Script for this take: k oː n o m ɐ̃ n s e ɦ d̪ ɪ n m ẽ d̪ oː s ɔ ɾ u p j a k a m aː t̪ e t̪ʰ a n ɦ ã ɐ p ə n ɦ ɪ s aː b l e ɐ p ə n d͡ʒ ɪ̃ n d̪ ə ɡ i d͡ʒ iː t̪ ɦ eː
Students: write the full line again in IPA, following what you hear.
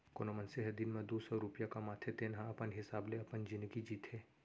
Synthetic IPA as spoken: k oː n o m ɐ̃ n s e ɦ d̪ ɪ n m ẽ d̪ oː s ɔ ɾ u p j a k a m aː t̪ʰ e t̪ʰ e n ɦ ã ɐ p ə n ɦ ɪ s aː b l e ɐ p ə n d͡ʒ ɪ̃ n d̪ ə ɡ i d͡ʒ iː t̪ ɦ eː